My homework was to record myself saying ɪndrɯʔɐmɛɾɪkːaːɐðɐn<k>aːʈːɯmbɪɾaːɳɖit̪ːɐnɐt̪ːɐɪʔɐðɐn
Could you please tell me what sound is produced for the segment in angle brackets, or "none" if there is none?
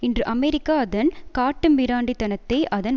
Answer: k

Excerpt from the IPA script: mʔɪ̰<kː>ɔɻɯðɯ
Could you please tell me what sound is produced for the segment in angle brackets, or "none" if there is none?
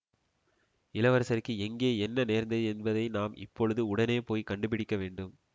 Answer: pː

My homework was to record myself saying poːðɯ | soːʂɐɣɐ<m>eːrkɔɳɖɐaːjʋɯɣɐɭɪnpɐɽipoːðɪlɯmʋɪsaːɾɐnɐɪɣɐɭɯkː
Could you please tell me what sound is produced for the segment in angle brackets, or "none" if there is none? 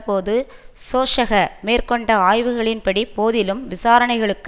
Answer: m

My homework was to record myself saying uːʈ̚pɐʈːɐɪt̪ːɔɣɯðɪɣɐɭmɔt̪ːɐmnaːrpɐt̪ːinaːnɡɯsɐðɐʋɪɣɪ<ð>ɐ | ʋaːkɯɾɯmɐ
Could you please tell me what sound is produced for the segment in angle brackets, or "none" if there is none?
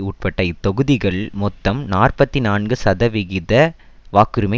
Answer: ð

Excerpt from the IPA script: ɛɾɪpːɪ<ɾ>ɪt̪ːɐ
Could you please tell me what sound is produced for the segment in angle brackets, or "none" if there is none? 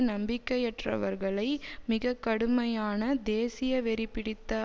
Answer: ɽ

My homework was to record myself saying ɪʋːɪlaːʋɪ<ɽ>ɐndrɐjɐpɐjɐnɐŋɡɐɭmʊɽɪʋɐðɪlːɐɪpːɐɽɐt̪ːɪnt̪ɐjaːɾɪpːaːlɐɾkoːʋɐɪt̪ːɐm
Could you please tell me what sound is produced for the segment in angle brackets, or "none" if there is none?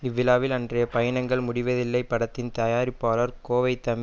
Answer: l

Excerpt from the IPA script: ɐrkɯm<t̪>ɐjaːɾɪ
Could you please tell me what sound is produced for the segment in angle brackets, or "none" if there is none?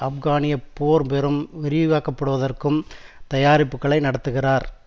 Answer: t̪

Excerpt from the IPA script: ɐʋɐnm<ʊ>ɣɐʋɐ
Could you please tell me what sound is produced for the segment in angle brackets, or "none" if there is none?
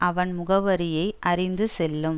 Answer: ʊ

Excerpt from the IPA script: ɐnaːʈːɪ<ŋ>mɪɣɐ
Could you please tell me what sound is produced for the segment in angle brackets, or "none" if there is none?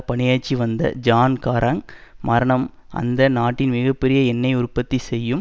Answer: n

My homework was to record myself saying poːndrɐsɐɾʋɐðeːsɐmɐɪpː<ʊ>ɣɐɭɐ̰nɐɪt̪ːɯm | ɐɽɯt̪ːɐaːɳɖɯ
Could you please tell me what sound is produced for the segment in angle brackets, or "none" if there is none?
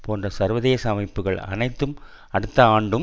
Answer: ɯ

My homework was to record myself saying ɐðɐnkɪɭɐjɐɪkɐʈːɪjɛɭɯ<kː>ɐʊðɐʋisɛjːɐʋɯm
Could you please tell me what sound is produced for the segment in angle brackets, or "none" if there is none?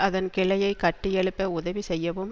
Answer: pː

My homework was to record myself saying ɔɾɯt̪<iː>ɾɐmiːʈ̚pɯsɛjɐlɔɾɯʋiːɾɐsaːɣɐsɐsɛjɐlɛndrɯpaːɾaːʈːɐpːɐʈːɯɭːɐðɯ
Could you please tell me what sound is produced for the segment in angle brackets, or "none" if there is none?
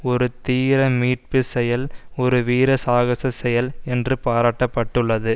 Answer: iː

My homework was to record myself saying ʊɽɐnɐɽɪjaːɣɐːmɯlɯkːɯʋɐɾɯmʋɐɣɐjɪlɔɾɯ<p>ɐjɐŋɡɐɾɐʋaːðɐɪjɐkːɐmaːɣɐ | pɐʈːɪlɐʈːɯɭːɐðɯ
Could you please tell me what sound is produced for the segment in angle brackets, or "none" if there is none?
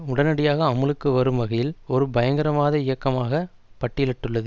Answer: b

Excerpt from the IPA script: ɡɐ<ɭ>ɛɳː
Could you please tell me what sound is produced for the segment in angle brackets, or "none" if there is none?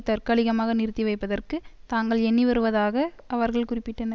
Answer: ɭ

